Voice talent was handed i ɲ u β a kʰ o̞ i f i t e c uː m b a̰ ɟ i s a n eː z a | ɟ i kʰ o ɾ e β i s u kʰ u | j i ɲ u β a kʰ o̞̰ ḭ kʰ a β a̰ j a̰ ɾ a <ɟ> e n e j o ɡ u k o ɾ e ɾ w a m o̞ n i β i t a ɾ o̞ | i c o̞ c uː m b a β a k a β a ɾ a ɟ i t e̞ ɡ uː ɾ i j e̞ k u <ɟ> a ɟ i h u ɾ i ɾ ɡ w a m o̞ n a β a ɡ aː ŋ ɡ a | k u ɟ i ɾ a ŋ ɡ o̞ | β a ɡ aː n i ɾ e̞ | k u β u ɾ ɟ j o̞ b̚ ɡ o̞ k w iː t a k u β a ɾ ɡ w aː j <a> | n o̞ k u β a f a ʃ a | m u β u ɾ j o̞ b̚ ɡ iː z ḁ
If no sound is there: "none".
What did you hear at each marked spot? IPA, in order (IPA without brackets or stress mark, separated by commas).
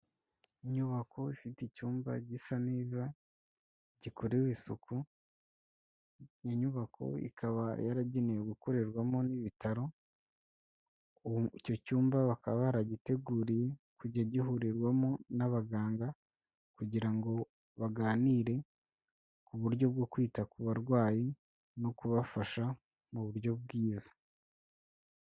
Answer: ɟ, ɟ, i